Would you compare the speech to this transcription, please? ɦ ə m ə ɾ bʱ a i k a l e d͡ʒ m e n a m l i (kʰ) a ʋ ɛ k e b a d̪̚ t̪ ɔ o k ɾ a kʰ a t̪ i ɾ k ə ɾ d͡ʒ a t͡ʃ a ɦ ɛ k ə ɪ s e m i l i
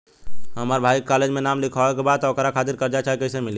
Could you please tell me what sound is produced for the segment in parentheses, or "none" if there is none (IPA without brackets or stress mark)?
kʰ